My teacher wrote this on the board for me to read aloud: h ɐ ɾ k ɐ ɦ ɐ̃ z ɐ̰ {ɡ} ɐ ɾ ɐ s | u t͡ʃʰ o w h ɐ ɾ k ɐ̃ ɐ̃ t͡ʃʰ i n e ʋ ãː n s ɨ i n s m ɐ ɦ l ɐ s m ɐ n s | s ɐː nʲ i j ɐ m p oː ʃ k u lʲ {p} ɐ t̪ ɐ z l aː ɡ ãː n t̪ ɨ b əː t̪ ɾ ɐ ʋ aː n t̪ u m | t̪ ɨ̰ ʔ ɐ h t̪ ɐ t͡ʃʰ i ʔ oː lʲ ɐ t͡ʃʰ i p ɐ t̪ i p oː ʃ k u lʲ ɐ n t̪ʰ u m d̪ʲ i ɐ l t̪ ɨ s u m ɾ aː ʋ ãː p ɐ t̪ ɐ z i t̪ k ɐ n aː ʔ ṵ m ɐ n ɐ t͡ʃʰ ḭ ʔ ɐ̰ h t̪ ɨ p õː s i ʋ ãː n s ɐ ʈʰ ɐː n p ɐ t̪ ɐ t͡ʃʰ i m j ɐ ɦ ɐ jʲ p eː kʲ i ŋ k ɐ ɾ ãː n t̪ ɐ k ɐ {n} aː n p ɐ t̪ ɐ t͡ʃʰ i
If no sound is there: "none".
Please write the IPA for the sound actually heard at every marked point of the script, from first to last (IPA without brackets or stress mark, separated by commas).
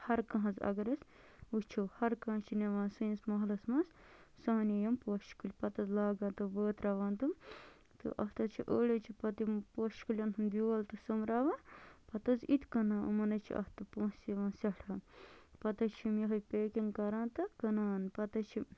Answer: ɡ, p, n